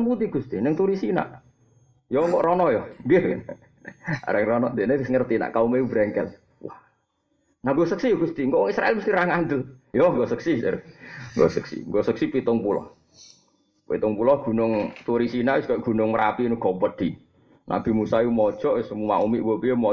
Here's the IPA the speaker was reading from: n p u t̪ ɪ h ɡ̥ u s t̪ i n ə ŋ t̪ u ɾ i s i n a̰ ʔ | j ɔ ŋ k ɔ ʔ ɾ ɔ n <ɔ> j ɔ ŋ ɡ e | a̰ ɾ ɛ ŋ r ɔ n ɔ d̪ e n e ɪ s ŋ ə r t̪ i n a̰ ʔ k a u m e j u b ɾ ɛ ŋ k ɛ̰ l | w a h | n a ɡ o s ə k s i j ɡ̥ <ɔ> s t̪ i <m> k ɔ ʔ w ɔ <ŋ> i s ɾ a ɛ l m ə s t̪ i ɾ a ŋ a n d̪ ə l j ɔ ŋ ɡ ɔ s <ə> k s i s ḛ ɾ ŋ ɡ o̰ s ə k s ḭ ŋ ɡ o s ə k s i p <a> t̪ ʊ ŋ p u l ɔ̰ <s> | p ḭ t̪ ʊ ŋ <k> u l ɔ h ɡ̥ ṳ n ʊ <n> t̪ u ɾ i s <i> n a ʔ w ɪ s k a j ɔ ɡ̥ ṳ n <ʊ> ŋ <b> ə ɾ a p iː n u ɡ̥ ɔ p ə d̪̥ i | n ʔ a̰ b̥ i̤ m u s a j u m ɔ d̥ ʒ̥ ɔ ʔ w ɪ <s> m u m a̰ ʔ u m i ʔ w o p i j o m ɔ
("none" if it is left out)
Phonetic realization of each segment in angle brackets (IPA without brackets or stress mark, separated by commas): ɔ, u, ŋ, ŋ, ə, i, h, p, ŋ, i, ʊ, m, s